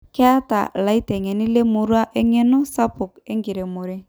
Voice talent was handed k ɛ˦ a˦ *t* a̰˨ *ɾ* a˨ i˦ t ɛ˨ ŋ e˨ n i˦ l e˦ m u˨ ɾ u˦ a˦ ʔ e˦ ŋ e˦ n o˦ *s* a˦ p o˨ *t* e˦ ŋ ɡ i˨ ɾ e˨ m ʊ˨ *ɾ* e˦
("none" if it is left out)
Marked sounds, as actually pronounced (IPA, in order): t, l, s, k, ɾ

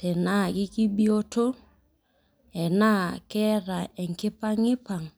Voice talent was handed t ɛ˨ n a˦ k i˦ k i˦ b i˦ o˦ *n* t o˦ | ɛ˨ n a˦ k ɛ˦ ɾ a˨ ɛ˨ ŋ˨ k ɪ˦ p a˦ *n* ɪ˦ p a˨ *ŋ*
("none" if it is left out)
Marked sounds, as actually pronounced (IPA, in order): none, ŋ, ŋ

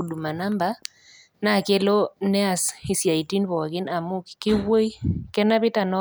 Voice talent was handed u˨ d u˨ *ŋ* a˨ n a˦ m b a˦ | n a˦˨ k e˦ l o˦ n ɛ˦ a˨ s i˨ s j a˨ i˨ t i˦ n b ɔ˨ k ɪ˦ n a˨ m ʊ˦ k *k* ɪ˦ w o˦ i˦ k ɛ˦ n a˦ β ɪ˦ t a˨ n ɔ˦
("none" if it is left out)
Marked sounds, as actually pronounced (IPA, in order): m, k

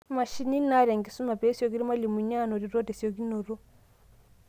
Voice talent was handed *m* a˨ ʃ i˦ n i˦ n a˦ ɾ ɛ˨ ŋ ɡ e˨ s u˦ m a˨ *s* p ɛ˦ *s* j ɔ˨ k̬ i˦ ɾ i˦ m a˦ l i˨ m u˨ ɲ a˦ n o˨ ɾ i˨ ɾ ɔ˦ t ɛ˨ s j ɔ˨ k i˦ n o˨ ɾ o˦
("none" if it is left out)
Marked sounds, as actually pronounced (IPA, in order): m, none, s

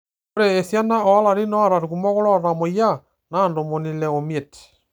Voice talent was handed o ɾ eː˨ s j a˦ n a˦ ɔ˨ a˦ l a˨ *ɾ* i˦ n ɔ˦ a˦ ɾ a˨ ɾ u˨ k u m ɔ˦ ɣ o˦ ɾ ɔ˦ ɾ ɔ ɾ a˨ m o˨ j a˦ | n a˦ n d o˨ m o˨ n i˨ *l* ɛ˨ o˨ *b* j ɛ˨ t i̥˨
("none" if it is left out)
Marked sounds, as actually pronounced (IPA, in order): ɾ, l, m

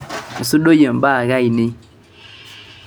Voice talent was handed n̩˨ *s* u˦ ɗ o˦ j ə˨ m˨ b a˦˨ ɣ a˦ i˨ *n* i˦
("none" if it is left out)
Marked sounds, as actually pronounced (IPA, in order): s, n

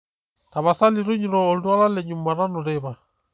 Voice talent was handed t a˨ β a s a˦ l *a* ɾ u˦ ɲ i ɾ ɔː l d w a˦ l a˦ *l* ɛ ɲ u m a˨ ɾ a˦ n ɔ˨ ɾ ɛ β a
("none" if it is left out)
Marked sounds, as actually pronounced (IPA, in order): i, l

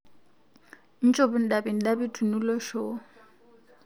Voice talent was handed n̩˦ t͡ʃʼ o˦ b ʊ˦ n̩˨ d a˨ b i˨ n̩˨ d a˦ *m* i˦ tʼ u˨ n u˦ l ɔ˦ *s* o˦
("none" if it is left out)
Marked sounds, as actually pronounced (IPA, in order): b, ʃ

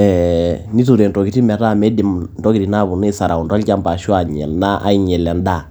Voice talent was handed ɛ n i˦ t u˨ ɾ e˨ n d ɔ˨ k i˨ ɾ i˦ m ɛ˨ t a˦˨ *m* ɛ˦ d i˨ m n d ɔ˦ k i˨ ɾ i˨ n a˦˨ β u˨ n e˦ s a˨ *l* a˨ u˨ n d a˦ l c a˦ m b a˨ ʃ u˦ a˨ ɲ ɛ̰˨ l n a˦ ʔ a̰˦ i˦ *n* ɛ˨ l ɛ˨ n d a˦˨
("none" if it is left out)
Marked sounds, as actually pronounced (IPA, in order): m, ɾ, ɲ

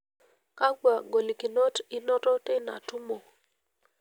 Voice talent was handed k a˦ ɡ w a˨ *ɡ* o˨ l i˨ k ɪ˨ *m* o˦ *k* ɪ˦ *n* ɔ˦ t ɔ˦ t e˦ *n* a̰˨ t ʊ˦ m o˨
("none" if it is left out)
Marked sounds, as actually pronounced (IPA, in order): ɡ, n, t, n, n

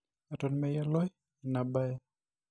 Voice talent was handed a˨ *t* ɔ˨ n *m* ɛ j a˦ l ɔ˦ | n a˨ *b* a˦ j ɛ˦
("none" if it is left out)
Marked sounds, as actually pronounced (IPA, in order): t, m, b

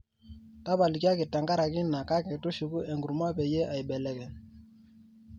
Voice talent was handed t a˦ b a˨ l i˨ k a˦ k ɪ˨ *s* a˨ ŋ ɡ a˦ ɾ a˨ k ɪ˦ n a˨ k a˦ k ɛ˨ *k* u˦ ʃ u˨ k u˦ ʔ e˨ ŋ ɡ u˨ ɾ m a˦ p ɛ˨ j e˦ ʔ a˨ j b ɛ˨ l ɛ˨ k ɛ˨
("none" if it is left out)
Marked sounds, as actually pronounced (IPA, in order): t, t

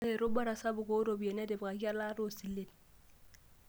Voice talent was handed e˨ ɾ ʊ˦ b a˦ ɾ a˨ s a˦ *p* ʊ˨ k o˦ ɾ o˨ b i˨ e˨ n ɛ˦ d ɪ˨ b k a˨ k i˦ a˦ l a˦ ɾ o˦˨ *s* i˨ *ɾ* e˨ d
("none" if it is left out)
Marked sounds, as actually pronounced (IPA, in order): b, s, l

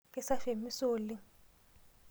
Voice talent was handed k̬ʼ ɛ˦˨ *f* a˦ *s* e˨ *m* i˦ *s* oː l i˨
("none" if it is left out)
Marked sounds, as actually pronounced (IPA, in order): s, f, m, s

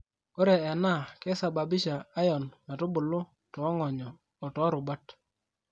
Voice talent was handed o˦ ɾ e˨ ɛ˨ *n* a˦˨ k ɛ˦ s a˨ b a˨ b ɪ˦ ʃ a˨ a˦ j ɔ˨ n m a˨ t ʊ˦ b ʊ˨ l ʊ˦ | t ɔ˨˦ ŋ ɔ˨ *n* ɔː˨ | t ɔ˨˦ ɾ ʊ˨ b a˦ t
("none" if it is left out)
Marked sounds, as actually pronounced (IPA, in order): n, ɲ

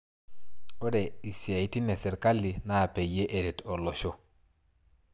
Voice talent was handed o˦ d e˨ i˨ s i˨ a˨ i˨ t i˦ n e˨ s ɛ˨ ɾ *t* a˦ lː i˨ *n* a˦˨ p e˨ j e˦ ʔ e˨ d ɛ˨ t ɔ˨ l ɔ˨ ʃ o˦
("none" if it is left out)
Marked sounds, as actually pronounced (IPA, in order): k, n

